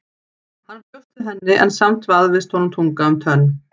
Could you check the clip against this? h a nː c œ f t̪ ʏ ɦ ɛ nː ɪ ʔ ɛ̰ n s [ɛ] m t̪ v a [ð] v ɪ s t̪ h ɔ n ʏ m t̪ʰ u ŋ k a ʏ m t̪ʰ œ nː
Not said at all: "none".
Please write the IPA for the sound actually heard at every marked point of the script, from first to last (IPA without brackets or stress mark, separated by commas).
a, ð